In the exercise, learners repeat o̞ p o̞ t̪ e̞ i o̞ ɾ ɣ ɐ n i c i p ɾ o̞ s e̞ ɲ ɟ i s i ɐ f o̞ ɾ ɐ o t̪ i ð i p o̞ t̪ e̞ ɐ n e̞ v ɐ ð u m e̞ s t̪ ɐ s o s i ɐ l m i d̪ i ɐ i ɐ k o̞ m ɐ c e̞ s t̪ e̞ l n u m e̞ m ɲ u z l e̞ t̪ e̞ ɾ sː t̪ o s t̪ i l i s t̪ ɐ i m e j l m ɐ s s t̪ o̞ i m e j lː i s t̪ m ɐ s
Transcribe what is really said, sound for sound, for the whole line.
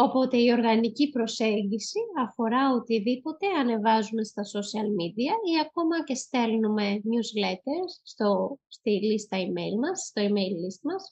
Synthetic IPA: o̞ p o̞ t̪ e̞ i o̞ ɾ ɣ ɐ n i c i p ɾ o̞ s e̞ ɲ ɟ i s i ɐ f o̞ ɾ ɐ o t̪ i ð i p o̞ t̪ e̞ ɐ n e̞ v ɐ z u m e̞ s t̪ ɐ s o s i ɐ l m i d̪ i ɐ i ɐ k o̞ m ɐ c e̞ s t̪ e̞ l n u m e̞ m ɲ u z l e̞ t̪ e̞ ɾ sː t̪ o s t̪ i l i s t̪ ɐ i m e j l m ɐ s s t̪ o̞ i m e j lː i s t̪ m ɐ s